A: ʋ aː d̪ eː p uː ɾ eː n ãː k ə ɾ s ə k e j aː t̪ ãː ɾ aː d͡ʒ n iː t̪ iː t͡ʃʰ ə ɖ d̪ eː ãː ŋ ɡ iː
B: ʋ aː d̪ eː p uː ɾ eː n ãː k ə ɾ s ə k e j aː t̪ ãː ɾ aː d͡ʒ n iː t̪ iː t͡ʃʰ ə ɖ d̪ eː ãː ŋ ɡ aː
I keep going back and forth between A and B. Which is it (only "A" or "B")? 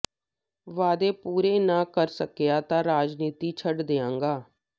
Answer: B